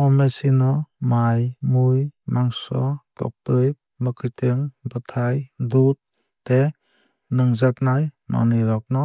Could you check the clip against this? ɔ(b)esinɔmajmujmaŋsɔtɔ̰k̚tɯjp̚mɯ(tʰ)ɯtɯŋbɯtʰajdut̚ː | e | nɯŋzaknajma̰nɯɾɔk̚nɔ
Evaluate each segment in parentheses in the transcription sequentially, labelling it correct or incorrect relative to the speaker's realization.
incorrect: m, incorrect: kʰ

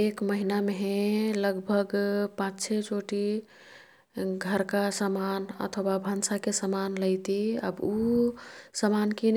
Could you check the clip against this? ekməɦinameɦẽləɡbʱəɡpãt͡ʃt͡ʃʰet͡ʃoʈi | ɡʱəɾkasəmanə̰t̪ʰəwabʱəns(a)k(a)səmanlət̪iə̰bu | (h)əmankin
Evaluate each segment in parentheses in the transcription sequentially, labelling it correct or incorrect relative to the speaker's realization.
correct, incorrect: e, incorrect: s

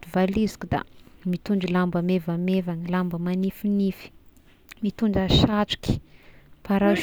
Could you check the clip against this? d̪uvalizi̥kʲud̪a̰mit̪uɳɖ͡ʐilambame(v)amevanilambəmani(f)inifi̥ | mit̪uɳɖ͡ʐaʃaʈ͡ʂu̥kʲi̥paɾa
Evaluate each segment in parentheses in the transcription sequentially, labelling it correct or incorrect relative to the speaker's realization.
correct, correct

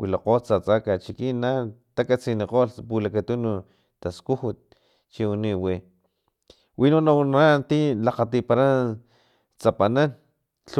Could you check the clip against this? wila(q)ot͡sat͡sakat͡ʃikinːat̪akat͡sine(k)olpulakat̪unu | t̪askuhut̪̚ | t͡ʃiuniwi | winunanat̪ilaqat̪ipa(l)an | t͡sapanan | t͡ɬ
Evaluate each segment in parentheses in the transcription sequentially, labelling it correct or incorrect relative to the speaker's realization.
correct, incorrect: q, incorrect: ɾ

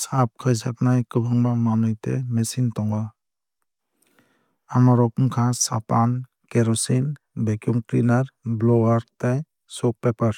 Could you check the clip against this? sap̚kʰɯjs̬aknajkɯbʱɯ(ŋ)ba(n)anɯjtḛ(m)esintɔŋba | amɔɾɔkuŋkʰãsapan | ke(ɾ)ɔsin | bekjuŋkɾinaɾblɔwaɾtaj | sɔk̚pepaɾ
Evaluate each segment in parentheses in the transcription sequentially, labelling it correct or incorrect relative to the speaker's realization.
correct, incorrect: m, correct, correct

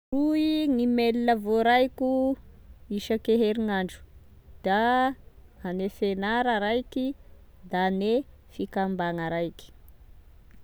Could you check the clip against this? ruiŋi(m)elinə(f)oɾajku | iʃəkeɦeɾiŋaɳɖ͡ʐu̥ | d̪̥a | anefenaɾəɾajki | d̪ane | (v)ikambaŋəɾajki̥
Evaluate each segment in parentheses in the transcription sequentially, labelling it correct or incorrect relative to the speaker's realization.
correct, incorrect: v, incorrect: f

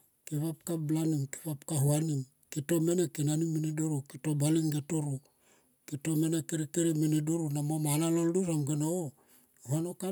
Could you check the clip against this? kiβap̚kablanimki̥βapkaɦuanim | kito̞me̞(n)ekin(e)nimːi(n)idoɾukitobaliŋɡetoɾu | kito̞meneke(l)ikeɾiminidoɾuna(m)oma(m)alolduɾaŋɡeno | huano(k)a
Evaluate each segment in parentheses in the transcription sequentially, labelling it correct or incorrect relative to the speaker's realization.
correct, incorrect: a, correct, incorrect: ɾ, correct, incorrect: n, correct

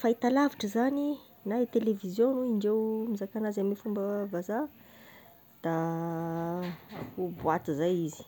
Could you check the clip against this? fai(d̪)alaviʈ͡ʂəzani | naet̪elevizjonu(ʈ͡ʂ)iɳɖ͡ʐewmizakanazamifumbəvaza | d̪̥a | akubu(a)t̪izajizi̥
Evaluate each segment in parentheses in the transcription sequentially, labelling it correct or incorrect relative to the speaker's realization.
incorrect: t̪, incorrect: none, correct

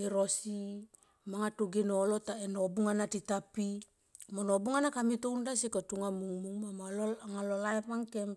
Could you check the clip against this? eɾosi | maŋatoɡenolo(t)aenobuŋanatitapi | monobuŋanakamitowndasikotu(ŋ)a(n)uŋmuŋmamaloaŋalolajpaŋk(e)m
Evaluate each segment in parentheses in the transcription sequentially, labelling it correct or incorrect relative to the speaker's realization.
correct, correct, incorrect: m, correct

